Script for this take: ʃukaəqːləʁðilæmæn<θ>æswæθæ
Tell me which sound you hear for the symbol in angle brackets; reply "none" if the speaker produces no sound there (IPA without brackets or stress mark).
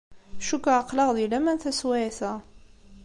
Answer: θ